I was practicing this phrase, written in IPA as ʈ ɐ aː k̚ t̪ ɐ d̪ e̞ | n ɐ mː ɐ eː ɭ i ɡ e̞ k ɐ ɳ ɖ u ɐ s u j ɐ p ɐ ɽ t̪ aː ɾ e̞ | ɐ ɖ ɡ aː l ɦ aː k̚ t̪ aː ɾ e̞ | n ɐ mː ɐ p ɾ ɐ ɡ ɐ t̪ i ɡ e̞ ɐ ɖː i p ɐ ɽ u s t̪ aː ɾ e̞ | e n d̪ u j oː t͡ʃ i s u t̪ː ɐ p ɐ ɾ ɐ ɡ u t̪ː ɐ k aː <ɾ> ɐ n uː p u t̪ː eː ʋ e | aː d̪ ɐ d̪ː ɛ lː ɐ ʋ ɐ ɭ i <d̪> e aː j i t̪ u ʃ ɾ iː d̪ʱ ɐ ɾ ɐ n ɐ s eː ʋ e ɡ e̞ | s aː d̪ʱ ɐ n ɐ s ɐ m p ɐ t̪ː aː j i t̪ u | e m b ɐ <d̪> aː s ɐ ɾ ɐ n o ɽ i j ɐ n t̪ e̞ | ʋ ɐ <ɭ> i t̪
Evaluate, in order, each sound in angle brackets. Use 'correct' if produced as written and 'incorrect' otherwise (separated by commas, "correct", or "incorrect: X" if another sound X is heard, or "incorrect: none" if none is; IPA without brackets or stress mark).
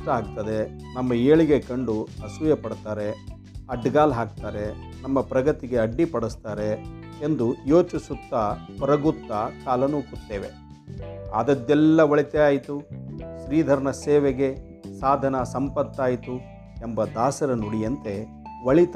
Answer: incorrect: l, incorrect: t̪, correct, correct